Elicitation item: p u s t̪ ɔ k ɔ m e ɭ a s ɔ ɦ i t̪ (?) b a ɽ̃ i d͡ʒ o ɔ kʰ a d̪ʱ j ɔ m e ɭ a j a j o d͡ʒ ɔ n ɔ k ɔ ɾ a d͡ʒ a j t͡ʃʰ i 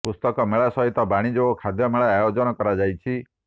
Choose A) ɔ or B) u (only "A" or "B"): A